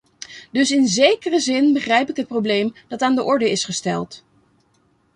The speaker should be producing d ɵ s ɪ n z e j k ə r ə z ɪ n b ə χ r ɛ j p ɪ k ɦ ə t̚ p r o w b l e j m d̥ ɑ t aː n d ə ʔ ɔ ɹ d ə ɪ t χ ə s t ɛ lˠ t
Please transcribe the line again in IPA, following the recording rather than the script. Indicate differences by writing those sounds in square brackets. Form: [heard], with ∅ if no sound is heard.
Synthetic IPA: d ɵ s ɪ n z e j k ə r ə z ɪ n b ə χ r ɛ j p ɪ k ɦ ə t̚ p r o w b l e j m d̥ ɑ t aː n d ə ʔ ɔ ɹ d ə ɪ [s] χ ə s t ɛ lˠ t